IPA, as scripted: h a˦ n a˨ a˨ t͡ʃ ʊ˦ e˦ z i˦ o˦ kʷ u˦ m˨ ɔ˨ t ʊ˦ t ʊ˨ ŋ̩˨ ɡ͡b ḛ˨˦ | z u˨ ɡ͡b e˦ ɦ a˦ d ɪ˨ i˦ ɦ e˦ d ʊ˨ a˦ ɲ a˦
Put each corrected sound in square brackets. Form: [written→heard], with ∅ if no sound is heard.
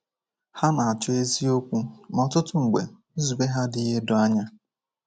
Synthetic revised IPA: h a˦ n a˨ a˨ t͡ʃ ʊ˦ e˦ z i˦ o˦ kʷ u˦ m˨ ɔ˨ t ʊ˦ t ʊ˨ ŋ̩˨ ɡ͡b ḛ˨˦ | z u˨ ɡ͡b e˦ ɦ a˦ d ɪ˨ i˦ ɦ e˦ d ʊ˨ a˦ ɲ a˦